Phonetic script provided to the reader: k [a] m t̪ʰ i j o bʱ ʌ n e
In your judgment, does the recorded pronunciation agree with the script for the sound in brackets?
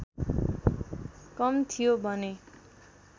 no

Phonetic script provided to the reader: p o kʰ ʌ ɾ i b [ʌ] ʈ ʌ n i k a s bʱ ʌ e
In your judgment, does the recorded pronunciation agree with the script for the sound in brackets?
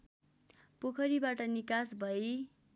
no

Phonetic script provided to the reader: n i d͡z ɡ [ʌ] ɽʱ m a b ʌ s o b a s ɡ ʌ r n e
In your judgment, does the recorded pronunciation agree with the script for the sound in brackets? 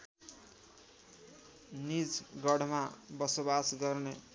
yes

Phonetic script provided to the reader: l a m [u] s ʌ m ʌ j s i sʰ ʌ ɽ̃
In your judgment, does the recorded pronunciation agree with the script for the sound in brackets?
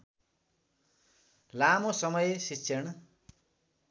no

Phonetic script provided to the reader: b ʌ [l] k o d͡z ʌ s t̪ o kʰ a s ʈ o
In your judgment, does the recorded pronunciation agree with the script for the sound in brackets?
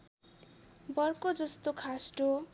no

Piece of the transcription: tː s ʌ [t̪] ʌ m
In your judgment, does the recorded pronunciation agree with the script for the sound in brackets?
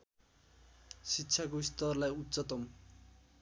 yes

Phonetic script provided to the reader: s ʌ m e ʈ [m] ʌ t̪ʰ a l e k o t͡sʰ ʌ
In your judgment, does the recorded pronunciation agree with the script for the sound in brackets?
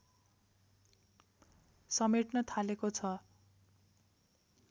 no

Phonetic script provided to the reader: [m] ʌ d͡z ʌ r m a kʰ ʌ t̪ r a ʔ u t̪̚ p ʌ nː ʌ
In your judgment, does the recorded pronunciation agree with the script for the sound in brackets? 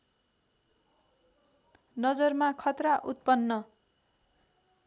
no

